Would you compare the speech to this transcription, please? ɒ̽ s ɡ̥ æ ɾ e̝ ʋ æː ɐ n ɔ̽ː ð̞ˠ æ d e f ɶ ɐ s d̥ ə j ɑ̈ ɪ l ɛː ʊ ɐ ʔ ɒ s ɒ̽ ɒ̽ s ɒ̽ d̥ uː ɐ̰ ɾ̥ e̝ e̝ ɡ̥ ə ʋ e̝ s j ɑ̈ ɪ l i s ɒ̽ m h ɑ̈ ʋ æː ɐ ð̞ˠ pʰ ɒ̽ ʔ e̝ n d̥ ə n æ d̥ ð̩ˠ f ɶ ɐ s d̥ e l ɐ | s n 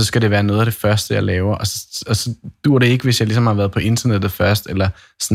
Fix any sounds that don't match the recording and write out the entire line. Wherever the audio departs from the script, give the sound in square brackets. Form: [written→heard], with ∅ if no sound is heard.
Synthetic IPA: ɒ̽ s ɡ̥ æ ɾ e̝ ʋ æː ɐ n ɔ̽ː ð̞ˠ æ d e f ɶ ɐ s d̥ ə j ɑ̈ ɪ l ɛː ʊ ɐ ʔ ɒ s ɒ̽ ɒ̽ s ɒ̽ d̥ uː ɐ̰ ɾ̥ e̝ e̝ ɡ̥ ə ʋ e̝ s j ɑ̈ ɪ l i s ɒ̽ m h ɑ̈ ʋ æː ɐ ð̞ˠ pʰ ɒ̽ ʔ e̝ n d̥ [ə→ɐ] n [æ→e] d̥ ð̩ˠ f ɶ ɐ s d̥ e l ɐ | s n